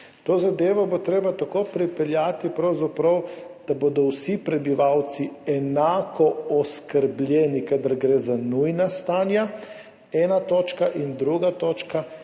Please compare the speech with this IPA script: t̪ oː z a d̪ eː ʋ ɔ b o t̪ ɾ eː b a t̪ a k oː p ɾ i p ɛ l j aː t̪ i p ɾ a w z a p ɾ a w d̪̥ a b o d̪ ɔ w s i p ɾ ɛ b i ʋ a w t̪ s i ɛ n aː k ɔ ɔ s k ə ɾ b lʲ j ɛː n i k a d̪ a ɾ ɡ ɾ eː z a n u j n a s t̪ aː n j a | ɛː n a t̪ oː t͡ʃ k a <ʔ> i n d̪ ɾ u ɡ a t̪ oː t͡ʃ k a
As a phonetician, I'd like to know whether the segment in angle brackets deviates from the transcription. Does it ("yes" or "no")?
no